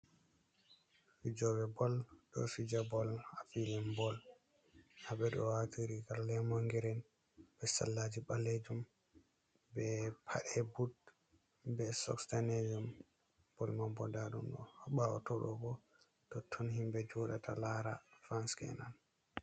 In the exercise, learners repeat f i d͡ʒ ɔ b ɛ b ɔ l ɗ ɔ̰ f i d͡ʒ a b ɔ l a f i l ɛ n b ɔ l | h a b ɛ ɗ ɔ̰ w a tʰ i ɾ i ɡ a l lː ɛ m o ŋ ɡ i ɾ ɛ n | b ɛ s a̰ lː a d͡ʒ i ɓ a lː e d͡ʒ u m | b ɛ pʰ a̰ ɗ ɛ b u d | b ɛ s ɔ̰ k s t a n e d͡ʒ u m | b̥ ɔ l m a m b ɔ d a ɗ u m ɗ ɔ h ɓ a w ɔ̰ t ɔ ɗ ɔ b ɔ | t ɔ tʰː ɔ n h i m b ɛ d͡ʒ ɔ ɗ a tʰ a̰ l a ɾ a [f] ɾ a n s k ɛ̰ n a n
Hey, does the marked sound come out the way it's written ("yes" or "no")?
yes